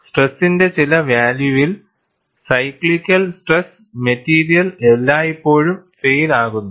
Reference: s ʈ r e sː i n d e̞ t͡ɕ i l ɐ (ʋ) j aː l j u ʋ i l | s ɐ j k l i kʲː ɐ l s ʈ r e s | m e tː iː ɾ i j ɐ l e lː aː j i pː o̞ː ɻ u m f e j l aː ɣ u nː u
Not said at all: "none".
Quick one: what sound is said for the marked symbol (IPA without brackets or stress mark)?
ʋ